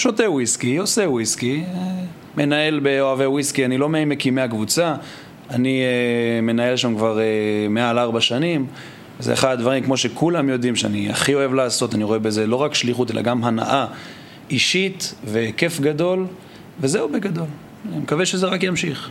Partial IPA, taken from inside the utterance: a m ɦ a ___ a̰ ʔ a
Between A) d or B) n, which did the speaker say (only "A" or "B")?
B